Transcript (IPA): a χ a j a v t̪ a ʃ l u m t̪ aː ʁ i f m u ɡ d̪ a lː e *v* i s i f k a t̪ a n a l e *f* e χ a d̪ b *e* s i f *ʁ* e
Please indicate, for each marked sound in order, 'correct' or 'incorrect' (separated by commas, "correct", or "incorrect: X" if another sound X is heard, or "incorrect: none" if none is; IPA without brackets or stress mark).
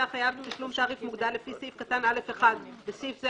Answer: incorrect: f, correct, correct, incorrect: z